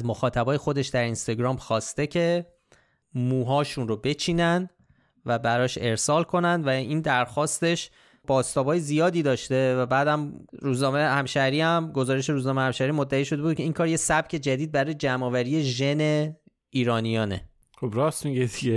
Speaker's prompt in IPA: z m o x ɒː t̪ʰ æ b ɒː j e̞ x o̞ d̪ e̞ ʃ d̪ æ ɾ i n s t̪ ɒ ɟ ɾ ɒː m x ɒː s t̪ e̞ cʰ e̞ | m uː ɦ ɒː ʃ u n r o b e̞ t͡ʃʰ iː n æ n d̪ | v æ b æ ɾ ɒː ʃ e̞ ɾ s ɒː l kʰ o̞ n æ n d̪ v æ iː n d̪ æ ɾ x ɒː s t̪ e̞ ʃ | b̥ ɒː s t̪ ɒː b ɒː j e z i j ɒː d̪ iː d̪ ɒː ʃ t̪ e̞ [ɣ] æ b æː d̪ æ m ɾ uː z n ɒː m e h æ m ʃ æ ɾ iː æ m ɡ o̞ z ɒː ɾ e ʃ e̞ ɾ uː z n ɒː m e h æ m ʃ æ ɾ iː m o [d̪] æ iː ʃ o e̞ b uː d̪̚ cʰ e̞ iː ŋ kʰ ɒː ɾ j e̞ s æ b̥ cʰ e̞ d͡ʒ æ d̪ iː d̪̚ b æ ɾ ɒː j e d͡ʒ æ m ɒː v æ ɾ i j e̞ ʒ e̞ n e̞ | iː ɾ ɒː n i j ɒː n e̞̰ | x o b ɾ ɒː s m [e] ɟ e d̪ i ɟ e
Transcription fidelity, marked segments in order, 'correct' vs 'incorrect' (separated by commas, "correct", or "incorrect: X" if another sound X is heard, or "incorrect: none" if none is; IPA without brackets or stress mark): incorrect: v, incorrect: d̪ː, incorrect: i